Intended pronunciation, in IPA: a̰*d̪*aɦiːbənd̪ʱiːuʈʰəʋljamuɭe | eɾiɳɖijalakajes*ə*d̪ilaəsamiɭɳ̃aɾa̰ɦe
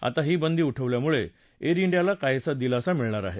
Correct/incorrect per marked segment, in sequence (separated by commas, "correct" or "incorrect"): incorrect, incorrect